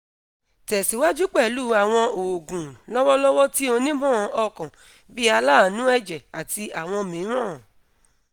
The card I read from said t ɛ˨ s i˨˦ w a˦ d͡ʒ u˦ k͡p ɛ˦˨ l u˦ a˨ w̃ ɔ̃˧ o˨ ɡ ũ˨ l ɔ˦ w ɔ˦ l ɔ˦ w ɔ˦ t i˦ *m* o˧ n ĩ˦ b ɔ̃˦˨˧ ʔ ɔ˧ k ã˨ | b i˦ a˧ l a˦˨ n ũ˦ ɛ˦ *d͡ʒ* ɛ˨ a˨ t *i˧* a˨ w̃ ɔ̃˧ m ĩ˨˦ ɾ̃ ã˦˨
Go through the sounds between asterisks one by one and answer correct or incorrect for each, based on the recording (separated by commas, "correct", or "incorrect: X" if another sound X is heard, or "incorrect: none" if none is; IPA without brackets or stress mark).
incorrect: none, correct, correct